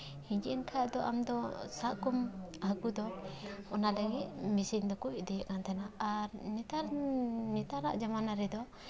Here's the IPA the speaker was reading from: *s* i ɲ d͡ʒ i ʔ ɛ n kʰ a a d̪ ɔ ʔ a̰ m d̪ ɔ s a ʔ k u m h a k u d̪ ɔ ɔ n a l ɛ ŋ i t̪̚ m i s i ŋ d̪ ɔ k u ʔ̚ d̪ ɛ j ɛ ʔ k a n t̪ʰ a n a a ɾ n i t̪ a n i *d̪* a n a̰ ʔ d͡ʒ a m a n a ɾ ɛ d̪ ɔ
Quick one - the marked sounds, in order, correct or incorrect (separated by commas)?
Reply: incorrect, incorrect